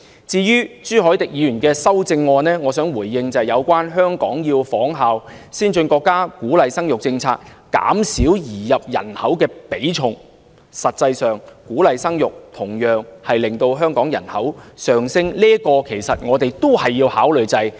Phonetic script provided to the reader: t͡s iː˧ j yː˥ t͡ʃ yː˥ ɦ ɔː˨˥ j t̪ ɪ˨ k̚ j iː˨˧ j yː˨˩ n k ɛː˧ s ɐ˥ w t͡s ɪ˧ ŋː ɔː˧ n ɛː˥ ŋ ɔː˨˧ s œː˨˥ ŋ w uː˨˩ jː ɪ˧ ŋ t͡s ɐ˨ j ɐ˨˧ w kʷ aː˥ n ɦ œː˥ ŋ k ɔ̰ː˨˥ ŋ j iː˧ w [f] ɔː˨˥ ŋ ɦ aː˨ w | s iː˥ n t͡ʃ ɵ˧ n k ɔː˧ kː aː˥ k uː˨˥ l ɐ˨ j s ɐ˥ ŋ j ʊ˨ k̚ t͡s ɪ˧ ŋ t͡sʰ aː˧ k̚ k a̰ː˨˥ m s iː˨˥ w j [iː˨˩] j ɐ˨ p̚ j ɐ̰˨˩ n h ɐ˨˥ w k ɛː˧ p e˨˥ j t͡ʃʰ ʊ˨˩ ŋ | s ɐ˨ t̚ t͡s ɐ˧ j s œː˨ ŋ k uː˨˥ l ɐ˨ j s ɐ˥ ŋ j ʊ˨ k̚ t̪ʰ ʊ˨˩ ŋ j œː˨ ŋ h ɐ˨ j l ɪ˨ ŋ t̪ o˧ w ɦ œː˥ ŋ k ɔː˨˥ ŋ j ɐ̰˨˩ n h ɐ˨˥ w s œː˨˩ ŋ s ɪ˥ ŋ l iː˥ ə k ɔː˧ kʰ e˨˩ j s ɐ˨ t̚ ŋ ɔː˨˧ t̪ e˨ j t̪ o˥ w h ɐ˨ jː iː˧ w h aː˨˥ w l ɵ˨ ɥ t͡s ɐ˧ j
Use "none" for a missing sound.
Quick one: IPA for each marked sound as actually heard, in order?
f, iː˨˩

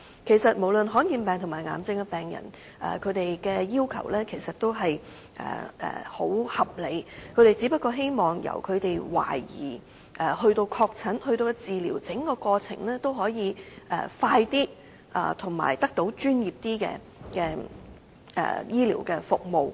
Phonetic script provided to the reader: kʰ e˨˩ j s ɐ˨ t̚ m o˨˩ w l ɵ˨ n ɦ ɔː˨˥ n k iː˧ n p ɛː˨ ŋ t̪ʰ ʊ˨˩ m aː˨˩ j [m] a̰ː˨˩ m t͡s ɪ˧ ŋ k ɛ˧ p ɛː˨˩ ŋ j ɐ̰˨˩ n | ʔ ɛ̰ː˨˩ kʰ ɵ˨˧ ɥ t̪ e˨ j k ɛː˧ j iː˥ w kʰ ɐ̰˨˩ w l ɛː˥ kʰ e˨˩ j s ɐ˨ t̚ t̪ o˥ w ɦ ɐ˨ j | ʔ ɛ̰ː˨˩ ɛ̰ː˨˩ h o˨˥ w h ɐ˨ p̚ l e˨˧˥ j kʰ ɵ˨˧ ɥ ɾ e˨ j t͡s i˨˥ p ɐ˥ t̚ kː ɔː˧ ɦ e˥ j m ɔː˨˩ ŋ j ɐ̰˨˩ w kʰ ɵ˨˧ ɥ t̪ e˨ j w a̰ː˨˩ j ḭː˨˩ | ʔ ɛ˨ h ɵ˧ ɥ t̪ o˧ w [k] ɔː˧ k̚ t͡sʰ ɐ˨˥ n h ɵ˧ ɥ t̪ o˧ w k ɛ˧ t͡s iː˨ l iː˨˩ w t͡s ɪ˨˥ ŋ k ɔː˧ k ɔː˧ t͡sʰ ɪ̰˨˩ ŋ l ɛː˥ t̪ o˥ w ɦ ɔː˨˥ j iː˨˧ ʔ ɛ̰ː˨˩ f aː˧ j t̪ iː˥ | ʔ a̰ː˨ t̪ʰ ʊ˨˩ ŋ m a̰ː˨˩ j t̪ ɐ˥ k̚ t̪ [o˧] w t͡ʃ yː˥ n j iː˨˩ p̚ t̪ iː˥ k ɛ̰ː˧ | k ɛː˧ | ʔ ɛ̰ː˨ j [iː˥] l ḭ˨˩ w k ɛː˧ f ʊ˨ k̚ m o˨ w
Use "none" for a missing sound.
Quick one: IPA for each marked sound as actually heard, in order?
ŋ, kʰ, o˨˥, iː˥

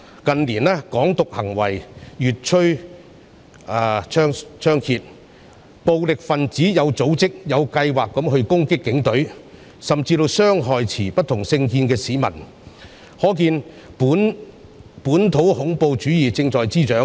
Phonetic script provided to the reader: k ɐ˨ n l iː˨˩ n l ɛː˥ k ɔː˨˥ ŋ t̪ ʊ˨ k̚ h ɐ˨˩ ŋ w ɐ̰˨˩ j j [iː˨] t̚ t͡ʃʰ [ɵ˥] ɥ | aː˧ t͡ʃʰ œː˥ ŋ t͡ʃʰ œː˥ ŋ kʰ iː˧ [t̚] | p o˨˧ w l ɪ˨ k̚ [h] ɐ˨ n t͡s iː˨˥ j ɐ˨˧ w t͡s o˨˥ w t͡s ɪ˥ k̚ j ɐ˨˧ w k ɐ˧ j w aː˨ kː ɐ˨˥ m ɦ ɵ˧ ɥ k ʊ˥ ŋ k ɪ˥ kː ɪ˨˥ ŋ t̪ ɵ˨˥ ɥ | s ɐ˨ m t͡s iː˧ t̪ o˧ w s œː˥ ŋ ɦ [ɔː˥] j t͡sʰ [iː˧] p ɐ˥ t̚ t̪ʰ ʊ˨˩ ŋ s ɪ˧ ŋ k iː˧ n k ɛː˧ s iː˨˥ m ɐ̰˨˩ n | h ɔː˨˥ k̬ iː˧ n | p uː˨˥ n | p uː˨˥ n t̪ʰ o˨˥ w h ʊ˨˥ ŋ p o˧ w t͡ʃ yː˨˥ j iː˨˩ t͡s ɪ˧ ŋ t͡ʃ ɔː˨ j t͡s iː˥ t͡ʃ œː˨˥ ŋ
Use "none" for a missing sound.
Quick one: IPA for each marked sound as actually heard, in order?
yː˨, ɵ˥, t̚, f, ɔː˨, iː˨˩

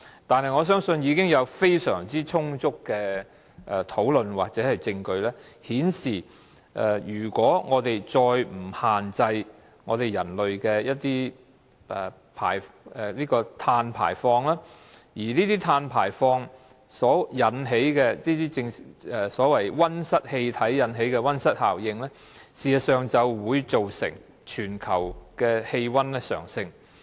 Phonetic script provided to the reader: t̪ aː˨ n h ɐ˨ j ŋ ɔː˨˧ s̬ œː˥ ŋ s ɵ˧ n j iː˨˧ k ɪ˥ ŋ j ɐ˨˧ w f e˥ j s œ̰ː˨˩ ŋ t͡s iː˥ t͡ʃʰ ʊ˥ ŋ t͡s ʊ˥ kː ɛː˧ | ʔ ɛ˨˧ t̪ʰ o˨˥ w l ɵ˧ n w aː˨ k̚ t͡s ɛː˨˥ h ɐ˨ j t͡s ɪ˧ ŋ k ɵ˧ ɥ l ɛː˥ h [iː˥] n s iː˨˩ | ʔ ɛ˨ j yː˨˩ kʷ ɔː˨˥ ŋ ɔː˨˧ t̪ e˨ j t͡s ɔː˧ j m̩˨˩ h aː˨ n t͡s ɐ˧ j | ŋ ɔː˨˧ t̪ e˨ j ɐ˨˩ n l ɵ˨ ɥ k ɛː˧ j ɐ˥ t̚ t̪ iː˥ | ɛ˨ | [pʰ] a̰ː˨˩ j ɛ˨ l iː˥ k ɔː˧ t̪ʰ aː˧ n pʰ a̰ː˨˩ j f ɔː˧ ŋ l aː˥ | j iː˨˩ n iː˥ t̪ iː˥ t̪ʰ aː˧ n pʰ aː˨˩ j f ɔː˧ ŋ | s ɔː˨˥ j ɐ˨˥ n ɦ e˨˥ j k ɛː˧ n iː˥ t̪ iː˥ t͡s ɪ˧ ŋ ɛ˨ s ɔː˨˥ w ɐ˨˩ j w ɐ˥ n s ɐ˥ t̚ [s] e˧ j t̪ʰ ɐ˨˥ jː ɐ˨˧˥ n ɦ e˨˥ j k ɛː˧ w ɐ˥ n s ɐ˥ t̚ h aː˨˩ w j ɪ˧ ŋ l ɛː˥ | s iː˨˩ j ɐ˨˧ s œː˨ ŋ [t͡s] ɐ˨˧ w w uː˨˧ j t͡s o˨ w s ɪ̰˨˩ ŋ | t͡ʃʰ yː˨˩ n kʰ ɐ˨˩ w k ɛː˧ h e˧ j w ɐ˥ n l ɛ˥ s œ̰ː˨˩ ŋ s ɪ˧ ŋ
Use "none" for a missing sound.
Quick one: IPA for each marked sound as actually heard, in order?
iː˨˥, pʰ, h, t͡s

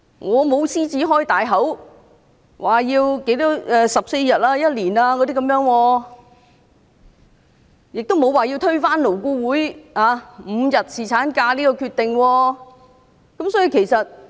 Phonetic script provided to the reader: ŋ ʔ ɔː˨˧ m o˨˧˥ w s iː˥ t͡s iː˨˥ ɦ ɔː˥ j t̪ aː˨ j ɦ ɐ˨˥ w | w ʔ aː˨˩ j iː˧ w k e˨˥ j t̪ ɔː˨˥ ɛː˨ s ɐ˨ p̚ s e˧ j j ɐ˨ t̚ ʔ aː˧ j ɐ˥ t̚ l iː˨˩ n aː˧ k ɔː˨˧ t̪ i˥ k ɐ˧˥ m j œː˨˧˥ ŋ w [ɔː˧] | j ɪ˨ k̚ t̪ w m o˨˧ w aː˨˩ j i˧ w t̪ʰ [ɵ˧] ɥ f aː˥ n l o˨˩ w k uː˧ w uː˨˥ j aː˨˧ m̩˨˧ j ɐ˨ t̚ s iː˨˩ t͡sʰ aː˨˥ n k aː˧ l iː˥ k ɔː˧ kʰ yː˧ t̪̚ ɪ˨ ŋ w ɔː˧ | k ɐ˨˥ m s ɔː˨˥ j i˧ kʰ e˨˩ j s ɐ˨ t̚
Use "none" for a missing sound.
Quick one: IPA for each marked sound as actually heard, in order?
ɔː˧, ɵ˥

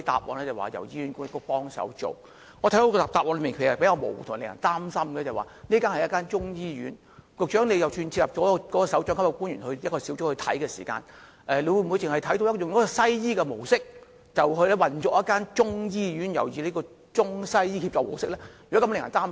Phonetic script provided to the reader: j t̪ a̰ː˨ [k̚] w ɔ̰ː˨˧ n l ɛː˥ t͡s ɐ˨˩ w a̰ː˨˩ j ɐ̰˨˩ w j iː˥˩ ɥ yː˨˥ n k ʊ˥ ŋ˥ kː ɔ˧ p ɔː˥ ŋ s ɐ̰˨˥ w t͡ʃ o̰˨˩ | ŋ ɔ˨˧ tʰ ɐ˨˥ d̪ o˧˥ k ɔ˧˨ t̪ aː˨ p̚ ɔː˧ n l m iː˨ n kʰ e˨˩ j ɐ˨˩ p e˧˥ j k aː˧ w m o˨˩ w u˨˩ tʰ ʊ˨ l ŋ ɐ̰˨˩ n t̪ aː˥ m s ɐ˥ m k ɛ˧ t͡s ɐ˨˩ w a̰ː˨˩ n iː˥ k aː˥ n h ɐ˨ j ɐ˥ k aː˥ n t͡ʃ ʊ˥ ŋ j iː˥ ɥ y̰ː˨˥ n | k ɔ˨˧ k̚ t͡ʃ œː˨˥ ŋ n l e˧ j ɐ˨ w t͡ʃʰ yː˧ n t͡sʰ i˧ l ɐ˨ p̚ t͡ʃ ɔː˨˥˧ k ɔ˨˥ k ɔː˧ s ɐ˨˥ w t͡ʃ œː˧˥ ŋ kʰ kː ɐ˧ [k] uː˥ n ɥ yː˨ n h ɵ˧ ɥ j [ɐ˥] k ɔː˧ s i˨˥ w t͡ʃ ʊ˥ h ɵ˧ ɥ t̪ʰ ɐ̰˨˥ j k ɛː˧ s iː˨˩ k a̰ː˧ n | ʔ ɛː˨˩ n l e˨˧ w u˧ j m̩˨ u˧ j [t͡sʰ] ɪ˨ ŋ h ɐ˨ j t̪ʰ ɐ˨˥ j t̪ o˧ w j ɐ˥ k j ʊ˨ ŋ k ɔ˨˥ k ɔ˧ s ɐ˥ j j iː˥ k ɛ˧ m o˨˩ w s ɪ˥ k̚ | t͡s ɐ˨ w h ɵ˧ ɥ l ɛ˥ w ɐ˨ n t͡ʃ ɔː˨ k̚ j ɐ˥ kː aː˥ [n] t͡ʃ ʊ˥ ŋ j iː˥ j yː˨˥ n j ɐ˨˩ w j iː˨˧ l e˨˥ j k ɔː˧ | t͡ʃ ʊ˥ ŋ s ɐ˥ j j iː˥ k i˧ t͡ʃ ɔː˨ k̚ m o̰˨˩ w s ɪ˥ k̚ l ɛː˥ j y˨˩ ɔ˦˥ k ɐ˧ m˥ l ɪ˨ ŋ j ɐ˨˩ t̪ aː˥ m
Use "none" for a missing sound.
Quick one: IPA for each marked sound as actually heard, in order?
p̚, k, ɐ˥, t͡s, n

